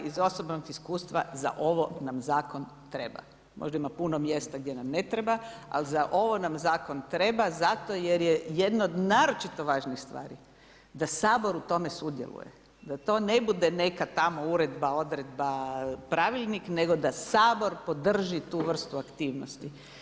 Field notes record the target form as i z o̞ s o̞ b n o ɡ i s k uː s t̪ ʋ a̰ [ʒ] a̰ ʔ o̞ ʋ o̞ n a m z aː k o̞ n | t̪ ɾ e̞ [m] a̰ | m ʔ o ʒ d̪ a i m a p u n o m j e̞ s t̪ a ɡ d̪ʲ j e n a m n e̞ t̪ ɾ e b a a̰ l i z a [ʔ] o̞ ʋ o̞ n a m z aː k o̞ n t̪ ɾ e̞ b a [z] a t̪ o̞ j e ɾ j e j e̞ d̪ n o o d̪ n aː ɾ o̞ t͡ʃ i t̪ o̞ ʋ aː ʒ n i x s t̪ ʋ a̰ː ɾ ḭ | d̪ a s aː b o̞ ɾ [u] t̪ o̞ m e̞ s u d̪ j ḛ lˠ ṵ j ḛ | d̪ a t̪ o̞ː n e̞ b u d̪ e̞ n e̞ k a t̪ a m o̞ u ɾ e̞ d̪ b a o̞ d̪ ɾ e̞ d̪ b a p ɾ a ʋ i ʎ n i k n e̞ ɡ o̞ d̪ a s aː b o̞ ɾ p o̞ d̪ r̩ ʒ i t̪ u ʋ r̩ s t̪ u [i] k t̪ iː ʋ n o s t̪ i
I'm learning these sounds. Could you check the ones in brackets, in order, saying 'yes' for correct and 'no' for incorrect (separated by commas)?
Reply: no, no, yes, yes, yes, no